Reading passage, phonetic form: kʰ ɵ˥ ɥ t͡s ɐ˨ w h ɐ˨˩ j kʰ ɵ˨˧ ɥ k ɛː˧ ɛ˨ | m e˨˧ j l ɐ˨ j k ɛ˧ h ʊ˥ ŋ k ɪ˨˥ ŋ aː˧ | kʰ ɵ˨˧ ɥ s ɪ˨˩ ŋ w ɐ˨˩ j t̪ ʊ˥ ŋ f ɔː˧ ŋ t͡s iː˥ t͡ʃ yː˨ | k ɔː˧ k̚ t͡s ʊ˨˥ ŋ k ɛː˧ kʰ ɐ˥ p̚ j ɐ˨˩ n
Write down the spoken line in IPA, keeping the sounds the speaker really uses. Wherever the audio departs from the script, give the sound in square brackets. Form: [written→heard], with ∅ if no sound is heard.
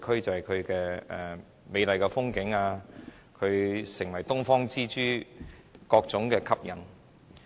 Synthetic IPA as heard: kʰ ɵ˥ ɥ t͡s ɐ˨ w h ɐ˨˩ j kʰ ɵ˨˧ ɥ k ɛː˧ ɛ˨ | m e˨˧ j l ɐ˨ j k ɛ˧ [h→f] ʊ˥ ŋ k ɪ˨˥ ŋ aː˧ | kʰ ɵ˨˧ ɥ s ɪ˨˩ ŋ w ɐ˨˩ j t̪ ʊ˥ ŋ f [ɔː˧→ɔː˥] ŋ t͡s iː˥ t͡ʃ [yː˨→yː˥] | k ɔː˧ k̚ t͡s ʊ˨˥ ŋ k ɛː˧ kʰ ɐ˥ p̚ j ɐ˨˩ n